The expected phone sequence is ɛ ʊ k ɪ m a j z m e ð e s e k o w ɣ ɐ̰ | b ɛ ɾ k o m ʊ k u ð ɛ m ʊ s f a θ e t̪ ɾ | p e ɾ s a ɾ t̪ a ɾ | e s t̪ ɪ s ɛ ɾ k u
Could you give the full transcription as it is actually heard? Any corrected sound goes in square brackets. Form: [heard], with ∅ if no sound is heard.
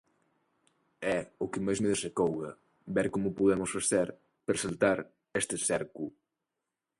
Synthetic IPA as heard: ɛ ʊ k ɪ m a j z m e ð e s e k o w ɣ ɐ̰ | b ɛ ɾ k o m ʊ [p] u ð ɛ m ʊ s f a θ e [∅] ɾ | p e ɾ s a [l] t̪ a ɾ | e s t̪ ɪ s ɛ ɾ k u